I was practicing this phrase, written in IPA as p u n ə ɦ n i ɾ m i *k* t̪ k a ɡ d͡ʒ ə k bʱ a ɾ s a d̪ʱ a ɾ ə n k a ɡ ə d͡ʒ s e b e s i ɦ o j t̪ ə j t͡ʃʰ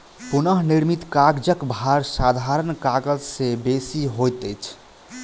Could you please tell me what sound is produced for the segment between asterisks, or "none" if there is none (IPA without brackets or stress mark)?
none